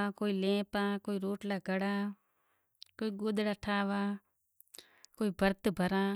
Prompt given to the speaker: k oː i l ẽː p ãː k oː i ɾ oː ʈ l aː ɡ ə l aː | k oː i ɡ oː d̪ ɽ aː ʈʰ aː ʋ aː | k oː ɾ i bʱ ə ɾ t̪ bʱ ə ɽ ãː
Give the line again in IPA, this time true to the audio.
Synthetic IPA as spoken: k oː i l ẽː p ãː k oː i ɾ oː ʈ l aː ɡ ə ɽ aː | k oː i ɡ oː d̪ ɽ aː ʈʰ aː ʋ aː | k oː i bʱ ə ɾ t̪ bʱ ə ɾ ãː